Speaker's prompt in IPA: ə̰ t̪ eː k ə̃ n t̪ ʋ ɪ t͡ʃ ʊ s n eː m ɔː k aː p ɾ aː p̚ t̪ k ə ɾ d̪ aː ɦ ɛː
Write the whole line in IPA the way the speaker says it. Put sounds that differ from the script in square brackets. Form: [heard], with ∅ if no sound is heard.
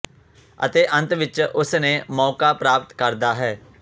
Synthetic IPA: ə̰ t̪ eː [ʔ] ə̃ n t̪ ʋ ɪ t͡ʃ ʊ s n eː m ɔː k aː p ɾ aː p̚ t̪ k ə ɾ d̪ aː ɦ ɛː